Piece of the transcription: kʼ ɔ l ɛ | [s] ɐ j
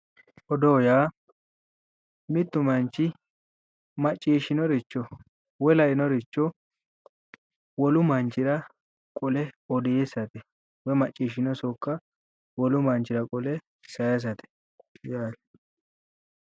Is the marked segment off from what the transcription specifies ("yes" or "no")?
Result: no